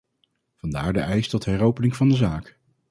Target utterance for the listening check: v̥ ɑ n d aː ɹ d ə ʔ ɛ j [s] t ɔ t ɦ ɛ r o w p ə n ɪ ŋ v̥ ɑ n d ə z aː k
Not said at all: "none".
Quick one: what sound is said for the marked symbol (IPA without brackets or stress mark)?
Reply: s